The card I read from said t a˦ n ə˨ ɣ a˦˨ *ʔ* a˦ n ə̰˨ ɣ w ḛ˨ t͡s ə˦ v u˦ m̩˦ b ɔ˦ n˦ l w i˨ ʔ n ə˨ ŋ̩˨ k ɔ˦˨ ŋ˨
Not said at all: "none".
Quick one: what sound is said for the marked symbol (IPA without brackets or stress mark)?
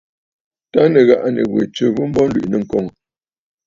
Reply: ʔ